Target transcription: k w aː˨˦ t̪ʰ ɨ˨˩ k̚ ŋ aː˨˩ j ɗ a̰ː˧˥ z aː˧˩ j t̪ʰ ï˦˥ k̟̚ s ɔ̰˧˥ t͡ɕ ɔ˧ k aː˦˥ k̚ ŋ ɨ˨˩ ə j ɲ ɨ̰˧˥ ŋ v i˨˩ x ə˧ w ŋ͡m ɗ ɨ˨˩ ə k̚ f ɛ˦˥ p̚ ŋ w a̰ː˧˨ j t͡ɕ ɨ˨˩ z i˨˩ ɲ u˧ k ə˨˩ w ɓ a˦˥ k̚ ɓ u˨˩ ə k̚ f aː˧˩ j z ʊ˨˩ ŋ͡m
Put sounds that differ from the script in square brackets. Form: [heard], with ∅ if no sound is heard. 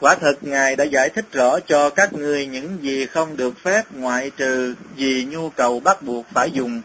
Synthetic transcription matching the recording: k w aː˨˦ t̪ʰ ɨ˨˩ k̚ ŋ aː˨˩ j ɗ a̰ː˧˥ z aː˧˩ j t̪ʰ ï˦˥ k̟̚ [z] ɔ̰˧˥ t͡ɕ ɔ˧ k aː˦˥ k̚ ŋ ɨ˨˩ ə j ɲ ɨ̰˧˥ ŋ [z] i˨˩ x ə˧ w ŋ͡m ɗ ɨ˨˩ ə k̚ f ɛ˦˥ p̚ ŋ w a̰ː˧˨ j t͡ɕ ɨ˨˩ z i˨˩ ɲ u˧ k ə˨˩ w ɓ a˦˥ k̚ ɓ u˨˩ ə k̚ f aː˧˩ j z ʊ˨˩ ŋ͡m